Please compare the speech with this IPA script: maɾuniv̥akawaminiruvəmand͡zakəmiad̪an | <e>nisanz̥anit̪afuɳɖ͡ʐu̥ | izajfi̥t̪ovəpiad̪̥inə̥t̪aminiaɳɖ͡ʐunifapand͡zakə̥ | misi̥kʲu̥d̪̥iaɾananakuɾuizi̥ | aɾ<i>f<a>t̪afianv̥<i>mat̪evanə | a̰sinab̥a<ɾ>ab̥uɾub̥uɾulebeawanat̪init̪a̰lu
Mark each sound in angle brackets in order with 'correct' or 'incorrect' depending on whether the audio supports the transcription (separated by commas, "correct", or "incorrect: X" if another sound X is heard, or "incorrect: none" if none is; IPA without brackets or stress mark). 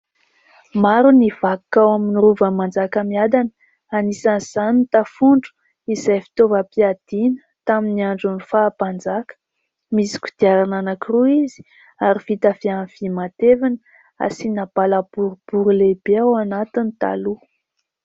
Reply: incorrect: a, correct, incorrect: i, correct, incorrect: l